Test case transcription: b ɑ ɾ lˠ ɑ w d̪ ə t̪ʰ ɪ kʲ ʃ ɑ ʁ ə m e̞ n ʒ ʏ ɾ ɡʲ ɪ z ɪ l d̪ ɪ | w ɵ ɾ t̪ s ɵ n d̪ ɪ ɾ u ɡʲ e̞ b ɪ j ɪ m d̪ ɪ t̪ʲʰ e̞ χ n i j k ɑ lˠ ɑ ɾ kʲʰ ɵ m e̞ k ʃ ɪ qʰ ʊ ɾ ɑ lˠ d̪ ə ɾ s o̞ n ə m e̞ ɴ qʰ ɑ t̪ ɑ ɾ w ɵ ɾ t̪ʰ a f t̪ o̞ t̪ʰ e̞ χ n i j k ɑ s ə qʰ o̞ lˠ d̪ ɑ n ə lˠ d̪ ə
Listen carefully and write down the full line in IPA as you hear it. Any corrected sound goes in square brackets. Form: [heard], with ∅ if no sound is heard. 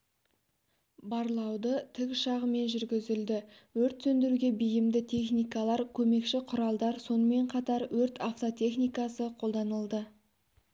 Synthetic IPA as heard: b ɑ ɾ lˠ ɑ w d̪ ə t̪ʰ ɪ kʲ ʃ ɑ ʁ ə m e̞ n ʒ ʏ ɾ ɡʲ ɪ z ɪ l d̪ ɪ | w ɵ ɾ t̪ s ɵ n d̪ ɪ ɾ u ɡʲ e̞ b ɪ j ɪ m d̪ ɪ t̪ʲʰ e̞ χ n i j k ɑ lˠ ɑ ɾ kʲʰ ɵ m e̞ k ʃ ɪ qʰ ʊ ɾ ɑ lˠ d̪ [ɑ] ɾ s o̞ n ə m e̞ ɴ qʰ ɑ t̪ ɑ ɾ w ɵ ɾ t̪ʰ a f t̪ o̞ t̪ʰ e̞ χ n i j k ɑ s ə qʰ o̞ lˠ d̪ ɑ n ə lˠ d̪ ə